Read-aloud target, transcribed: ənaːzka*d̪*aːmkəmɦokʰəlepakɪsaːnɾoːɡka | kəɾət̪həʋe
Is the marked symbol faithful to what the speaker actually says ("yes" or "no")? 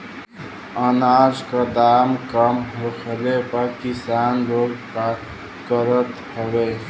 yes